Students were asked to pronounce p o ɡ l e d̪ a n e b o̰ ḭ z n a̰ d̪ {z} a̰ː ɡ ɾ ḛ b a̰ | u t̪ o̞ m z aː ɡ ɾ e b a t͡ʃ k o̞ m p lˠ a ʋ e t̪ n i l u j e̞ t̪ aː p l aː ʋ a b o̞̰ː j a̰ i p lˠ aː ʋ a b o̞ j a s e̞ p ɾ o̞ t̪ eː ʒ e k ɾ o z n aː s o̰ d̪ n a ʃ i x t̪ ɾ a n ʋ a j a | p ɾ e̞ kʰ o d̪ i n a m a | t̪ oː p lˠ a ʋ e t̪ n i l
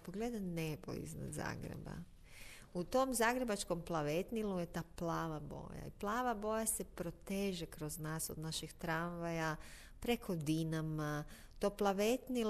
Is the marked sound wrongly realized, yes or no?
no